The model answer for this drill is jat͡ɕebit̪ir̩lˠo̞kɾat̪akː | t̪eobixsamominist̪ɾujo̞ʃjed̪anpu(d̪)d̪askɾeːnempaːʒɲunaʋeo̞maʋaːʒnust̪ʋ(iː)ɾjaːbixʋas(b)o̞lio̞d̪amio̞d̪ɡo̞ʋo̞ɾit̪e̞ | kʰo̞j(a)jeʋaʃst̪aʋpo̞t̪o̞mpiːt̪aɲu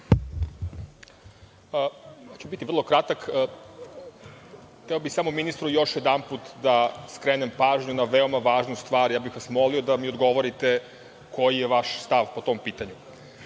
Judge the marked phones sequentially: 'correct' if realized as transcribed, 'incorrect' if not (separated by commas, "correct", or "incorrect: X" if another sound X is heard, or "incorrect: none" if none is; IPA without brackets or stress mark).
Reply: incorrect: t̪, incorrect: aː, incorrect: m, incorrect: i